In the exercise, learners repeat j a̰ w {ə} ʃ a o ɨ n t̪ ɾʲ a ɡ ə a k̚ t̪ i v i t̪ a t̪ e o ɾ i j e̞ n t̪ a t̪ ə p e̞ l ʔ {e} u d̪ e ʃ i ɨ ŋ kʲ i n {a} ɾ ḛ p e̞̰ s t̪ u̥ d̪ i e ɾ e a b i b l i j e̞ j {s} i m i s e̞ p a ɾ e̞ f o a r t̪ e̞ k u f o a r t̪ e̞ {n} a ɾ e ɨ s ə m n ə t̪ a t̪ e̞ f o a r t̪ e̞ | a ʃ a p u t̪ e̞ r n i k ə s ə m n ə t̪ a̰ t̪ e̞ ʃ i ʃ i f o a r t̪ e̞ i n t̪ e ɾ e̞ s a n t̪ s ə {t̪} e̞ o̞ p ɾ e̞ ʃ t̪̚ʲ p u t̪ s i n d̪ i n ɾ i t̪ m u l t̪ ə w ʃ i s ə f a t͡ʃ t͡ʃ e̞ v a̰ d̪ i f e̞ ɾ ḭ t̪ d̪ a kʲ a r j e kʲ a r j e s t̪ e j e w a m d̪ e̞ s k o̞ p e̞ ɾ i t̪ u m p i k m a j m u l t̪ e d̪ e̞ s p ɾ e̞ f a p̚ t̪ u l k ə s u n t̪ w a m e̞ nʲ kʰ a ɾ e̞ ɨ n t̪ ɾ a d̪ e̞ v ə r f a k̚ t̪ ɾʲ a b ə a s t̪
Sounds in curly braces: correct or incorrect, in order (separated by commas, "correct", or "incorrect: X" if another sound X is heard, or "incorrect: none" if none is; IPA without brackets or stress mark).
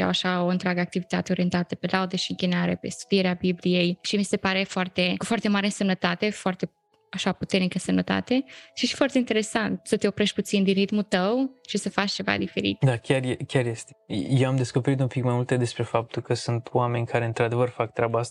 incorrect: a, incorrect: a, correct, incorrect: ʃ, incorrect: m, correct